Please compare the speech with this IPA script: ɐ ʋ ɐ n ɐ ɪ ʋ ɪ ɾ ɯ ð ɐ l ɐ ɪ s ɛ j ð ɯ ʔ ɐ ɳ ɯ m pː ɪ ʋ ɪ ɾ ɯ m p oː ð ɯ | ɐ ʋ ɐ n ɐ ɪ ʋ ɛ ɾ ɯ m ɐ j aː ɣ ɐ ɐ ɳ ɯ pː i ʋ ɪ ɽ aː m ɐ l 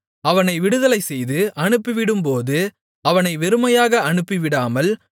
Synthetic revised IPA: ɐ ʋ ɐ n ɐ ɪ ʋ ɪ ɽ ɯ ð ɐ l ɐ ɪ s ɛ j ð ɯ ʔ ɐ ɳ ɯ pː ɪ ʋ ɪ ɽ ɯ m p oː ð ɯ | ɐ ʋ ɐ n ɐ ɪ ʋ ɛ ɾ ɯ m ɐ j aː ɣ ɐ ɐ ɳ ɯ pː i ʋ ɪ ɽ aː m ɐ l